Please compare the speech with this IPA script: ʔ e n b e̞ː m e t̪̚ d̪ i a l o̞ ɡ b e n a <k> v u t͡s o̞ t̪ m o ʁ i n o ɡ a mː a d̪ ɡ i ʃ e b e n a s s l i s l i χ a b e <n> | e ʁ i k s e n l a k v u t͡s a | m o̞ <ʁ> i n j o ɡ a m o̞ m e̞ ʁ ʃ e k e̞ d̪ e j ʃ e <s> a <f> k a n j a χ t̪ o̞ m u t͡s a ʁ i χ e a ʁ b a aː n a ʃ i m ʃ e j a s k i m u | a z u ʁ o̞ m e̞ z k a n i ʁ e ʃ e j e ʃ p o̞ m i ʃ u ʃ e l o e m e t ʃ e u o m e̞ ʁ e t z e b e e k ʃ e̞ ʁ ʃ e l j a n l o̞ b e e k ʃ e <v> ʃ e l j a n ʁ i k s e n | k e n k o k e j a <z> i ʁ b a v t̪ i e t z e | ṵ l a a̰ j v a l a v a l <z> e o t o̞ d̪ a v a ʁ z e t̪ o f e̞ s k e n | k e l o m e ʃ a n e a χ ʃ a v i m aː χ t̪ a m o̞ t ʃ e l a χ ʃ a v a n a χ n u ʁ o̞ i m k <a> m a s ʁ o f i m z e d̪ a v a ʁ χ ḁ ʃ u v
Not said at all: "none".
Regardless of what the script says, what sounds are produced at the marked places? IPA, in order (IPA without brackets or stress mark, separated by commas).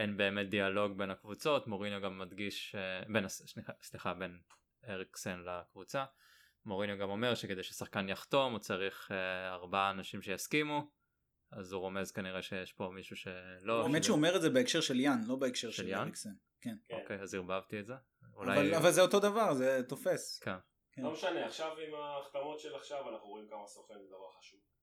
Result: k, n, ʁ, s, χ, ʁ, z, z, a